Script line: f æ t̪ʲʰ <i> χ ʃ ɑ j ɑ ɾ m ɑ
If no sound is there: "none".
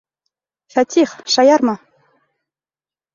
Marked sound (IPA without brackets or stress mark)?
i